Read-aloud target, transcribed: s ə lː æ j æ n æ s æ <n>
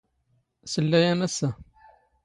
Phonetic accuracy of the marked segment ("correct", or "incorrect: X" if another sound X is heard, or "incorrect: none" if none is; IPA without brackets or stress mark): incorrect: none